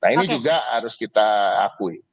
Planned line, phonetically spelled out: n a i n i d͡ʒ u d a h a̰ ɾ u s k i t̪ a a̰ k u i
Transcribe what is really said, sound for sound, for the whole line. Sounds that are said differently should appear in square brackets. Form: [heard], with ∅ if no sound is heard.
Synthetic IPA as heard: n a i n i d͡ʒ u [ɡ] a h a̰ ɾ [ʊ] s k i t̪ a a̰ k u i